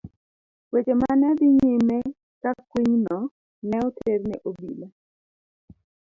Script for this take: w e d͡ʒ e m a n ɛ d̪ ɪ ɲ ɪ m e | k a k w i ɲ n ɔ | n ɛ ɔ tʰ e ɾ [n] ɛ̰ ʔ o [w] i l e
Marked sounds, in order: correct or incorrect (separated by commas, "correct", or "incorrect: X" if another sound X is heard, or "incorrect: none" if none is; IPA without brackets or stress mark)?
correct, incorrect: b